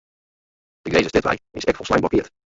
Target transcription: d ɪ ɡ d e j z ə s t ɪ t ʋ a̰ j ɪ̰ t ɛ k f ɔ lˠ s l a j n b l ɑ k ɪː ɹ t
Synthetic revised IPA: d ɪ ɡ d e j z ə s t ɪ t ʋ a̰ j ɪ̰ s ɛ k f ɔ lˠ s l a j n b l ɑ k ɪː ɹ t